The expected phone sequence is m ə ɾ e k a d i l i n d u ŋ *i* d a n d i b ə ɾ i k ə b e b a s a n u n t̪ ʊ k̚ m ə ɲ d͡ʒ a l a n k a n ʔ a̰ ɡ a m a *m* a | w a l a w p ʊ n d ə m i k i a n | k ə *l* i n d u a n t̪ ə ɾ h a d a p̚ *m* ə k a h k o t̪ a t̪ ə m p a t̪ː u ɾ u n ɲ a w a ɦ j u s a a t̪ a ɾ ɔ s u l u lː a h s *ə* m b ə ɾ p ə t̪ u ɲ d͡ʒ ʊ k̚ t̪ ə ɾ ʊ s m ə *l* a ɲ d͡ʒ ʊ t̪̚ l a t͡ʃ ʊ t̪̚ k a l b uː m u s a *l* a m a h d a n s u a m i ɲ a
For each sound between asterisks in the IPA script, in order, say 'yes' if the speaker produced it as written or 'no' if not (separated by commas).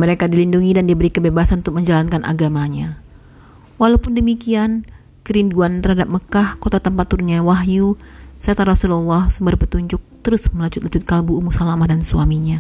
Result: yes, no, no, yes, yes, yes, yes